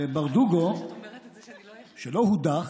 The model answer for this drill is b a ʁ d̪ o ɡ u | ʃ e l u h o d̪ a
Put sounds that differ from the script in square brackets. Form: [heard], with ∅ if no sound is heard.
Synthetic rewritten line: b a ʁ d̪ [u] ɡ [o] | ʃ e l [o] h [u] d̪ a